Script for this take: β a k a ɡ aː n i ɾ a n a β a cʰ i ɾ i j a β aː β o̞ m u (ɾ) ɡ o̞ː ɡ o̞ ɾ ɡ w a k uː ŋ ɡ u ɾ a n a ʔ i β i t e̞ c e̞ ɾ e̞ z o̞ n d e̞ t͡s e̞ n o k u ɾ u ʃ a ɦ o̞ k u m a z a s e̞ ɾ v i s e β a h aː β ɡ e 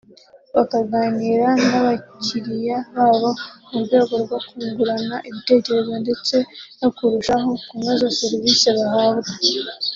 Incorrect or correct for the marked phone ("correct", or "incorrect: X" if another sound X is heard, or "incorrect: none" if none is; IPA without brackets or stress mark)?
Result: correct